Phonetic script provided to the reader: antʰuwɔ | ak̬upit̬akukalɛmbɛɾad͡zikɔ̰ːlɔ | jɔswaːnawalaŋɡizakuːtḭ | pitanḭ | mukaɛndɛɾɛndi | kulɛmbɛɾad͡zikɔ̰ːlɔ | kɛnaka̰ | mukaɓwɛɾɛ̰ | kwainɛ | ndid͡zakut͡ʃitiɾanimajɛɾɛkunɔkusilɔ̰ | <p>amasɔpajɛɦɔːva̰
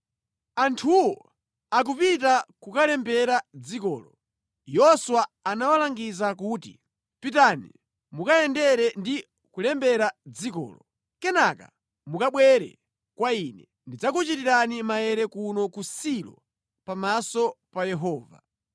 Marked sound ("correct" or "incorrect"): correct